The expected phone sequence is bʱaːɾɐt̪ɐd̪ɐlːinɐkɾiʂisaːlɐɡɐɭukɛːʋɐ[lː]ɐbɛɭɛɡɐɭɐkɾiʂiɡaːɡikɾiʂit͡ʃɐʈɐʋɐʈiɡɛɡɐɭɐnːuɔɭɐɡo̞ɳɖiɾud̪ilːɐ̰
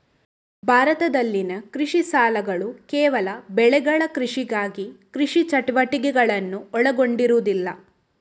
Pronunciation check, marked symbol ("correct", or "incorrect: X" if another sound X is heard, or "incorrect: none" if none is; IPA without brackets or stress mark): incorrect: l